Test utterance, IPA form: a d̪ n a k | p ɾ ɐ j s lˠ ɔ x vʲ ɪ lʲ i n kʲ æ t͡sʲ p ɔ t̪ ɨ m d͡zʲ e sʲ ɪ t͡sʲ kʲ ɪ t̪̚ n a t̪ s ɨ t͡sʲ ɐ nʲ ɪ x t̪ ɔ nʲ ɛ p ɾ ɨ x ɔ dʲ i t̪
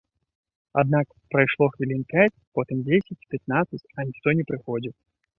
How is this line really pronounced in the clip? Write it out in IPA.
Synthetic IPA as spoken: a d̪ n a k | p ɾ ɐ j ʂ lˠ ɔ x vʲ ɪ lʲ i n pʲ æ t͡sʲ p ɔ t̪ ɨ m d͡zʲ e sʲ ɪ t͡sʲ pʲ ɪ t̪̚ n a t̪ s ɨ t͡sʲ ɐ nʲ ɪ x t̪ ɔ nʲ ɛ p ɾ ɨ x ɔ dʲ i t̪